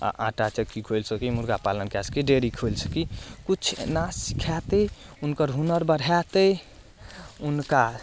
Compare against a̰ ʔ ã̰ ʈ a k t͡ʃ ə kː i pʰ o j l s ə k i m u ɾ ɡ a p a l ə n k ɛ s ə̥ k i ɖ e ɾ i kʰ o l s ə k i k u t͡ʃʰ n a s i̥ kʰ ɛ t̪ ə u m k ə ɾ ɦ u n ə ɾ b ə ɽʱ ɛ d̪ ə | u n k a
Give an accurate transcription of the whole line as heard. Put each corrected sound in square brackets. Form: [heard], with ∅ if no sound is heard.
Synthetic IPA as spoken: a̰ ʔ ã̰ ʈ a [∅] t͡ʃ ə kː i [kʰ] o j l s ə k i m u ɾ ɡ a p a l ə n k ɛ s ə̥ k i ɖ e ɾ i kʰ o l s ə k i k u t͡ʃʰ n a s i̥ kʰ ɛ t̪ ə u [n] k ə ɾ ɦ u n ə ɾ b ə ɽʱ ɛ [t̪] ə | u n k a